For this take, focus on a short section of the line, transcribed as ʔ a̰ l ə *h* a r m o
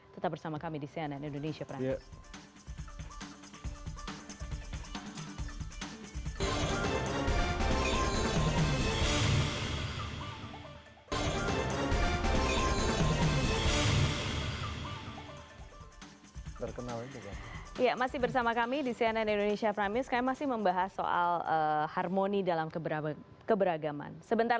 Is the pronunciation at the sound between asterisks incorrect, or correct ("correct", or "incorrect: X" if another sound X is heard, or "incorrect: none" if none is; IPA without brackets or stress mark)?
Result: correct